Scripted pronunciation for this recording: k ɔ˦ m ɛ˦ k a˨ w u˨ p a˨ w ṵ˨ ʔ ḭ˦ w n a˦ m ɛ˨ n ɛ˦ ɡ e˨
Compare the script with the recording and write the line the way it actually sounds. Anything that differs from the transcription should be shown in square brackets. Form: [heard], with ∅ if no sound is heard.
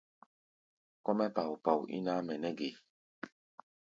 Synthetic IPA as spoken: k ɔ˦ m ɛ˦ [p] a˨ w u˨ p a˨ w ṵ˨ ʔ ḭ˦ [∅] n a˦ m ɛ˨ n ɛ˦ ɡ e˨